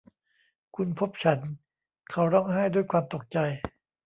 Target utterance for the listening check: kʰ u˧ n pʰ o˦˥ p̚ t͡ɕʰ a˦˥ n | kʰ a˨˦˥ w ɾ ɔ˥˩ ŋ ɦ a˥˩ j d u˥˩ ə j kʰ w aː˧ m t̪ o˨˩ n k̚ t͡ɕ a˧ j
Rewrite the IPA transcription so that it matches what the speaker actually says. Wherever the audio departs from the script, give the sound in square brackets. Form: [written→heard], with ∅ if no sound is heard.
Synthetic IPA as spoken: kʰ u˧ n pʰ o˦˥ p̚ t͡ɕʰ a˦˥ n | kʰ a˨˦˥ w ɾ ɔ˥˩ ŋ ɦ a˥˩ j d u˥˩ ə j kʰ w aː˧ m t̪ o˨˩ [n→∅] k̚ t͡ɕ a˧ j